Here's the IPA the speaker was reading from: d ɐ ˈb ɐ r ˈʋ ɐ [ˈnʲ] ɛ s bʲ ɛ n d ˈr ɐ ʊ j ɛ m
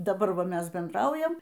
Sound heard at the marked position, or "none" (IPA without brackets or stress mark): mʲ